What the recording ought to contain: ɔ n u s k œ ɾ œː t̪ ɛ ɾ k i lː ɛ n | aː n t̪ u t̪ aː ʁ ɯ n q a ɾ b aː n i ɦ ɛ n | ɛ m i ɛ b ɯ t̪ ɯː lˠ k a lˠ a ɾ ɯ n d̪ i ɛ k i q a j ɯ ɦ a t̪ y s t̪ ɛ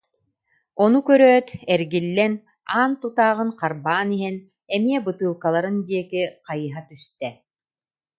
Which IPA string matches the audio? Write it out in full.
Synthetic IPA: ɔ n u k œ ɾ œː t̪ ɛ ɾ ɡ i lː ɛ n | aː n t̪ u t̪ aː ʁ ɯ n q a ɾ b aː n i ɦ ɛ n | ɛ m i ɛ b ɯ t̪ ɯː lˠ k a lˠ a ɾ ɯ n d̪ i ɛ k i q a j ɯ ɦ a t̪ y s t̪ ɛ